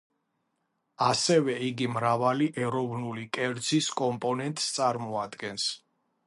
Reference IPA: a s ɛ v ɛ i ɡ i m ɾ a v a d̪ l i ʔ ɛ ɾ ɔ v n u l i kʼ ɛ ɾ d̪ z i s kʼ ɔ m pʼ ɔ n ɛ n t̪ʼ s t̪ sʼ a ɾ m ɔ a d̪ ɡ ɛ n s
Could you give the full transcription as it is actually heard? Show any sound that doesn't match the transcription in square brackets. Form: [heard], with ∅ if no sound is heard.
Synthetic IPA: a s ɛ v ɛ i ɡ i m ɾ a v a [∅] l i ʔ ɛ ɾ ɔ v n u l i kʼ ɛ ɾ d̪ z i s kʼ ɔ m pʼ ɔ n ɛ n t̪ʼ s t̪ sʼ a ɾ m ɔ a d̪ ɡ ɛ n s